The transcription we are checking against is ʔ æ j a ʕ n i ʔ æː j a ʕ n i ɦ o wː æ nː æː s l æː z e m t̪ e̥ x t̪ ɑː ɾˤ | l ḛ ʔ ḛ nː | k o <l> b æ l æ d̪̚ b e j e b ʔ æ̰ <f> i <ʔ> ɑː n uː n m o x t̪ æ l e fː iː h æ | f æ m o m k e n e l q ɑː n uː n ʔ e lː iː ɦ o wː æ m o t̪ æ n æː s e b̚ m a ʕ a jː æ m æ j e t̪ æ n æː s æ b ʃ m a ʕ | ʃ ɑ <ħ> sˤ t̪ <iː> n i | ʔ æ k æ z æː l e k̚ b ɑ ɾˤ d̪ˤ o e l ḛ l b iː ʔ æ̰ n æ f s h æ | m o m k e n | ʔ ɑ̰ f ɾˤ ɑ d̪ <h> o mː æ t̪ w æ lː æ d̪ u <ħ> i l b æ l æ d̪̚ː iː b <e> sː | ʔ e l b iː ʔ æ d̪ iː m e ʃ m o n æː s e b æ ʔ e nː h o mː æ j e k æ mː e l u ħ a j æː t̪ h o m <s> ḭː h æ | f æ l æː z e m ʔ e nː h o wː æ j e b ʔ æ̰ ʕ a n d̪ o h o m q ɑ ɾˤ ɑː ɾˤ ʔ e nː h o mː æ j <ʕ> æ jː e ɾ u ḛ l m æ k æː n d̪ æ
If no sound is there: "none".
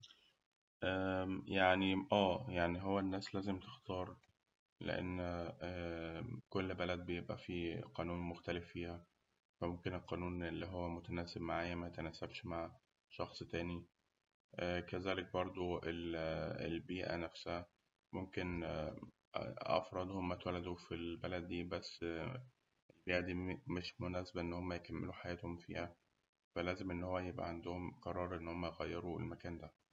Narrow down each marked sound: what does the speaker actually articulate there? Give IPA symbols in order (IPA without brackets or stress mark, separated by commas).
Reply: lː, f, q, x, æː, h, f, æ, f, ɣ